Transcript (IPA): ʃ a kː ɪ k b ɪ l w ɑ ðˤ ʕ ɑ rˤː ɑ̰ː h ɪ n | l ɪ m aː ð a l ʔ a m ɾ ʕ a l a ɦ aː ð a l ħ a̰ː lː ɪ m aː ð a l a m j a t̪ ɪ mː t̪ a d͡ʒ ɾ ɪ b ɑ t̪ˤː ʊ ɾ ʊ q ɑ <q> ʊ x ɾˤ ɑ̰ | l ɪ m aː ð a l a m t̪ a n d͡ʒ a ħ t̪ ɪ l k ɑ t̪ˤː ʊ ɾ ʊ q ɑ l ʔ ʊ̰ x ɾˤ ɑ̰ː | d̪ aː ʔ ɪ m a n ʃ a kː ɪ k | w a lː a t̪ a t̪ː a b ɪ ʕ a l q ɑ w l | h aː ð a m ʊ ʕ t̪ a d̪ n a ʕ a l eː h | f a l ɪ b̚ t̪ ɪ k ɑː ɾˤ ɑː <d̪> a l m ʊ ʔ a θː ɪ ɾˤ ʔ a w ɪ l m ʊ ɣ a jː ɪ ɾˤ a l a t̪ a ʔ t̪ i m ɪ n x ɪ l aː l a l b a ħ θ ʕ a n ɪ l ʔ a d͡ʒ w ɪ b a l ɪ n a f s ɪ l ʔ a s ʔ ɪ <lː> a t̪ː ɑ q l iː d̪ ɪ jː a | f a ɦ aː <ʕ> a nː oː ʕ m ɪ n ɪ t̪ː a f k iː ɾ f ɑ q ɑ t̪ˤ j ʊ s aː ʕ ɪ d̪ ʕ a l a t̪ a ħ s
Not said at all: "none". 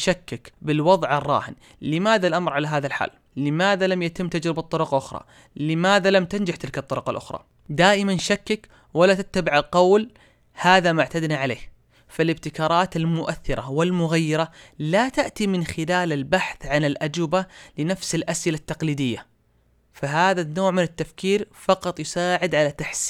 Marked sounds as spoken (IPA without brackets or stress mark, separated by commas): ʔ, t̪, l, ð